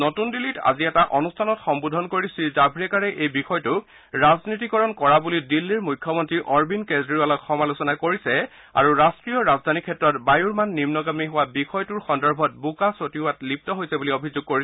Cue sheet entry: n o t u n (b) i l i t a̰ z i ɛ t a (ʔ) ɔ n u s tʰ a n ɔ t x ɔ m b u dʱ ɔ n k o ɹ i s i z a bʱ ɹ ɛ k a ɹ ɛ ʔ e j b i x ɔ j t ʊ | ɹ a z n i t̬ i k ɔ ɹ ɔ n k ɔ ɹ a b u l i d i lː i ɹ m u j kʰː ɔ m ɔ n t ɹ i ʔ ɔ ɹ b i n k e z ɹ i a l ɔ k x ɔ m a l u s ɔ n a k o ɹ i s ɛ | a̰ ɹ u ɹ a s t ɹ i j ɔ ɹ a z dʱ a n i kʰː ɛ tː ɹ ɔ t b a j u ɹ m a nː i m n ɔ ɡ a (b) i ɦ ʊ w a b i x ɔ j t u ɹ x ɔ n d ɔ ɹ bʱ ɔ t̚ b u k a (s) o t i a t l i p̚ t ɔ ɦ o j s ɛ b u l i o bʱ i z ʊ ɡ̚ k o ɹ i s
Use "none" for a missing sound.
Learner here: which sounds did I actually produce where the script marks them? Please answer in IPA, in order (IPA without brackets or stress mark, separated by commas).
d, ʔ, m, s